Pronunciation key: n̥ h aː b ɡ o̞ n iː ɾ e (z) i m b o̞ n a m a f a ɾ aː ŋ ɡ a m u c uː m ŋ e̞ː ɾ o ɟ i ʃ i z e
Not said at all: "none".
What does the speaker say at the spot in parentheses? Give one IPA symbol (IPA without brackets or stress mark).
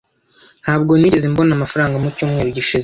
z